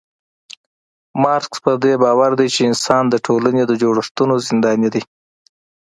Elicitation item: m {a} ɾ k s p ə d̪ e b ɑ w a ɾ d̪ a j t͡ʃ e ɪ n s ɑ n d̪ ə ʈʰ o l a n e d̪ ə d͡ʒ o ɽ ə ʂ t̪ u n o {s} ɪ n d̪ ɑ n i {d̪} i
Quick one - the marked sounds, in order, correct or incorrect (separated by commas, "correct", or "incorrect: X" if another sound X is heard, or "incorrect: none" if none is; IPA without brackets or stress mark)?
incorrect: ɑ, incorrect: z, correct